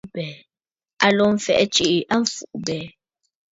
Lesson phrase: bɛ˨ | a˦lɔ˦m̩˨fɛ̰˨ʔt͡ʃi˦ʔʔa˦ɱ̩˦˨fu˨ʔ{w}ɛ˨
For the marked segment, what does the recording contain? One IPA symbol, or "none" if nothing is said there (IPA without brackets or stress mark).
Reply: b